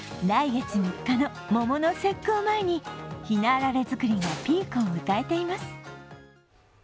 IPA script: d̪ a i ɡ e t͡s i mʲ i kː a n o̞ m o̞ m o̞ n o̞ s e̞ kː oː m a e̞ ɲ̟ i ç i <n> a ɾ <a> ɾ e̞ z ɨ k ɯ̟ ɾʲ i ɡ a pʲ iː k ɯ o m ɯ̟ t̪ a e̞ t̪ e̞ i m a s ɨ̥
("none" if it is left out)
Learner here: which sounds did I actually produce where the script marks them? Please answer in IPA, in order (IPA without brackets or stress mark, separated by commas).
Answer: n, a